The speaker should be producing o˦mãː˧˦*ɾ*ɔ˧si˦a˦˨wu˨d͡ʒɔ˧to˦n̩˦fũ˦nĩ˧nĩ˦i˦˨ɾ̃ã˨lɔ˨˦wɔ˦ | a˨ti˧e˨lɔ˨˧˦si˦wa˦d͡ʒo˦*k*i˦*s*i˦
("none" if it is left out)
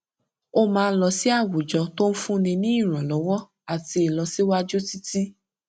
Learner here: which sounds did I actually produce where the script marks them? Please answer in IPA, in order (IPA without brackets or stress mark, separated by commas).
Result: l, t, t